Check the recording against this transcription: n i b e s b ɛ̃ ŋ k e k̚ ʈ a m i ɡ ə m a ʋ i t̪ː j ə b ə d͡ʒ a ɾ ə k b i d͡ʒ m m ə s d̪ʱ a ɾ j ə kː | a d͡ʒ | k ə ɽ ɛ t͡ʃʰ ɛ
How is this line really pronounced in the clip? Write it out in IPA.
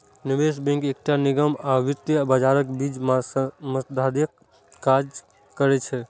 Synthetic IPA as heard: n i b e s b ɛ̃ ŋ k e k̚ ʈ a n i ɡ ə m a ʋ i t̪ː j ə b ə d͡ʒ a ɾ ə k b i d͡ʒ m m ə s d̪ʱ a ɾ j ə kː | a d͡ʒ | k ə ɾ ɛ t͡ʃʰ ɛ